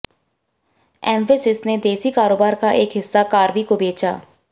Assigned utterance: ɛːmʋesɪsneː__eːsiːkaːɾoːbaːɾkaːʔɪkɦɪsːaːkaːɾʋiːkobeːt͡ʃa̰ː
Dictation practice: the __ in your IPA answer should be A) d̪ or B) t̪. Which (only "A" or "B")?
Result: A